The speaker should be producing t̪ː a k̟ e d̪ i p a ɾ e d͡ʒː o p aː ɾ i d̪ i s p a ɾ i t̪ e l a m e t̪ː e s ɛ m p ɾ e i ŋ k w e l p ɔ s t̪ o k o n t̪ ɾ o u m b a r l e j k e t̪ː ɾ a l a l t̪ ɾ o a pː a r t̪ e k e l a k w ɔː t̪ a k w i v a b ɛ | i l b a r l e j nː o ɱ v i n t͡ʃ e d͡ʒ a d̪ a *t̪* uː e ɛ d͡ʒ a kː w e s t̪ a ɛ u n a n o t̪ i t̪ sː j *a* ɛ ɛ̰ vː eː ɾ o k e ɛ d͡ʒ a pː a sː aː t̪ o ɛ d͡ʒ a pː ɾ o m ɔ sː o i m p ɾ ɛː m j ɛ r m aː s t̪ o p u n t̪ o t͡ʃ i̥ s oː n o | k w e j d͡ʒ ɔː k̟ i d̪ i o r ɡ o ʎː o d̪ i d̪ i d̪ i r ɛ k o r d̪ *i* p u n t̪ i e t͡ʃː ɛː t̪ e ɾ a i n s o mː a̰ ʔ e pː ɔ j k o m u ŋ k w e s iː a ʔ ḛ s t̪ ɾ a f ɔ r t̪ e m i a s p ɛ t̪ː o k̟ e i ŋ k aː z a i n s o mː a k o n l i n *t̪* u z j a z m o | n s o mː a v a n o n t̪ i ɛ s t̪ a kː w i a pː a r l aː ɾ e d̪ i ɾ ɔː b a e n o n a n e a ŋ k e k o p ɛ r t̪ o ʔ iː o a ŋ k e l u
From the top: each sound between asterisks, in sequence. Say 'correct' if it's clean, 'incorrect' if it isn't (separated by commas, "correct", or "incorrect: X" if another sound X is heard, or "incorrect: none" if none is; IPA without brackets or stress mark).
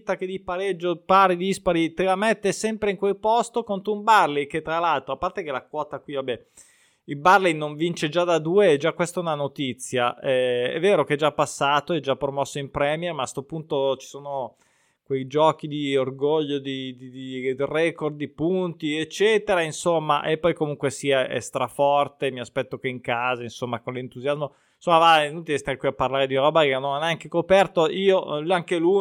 incorrect: d̪, correct, correct, correct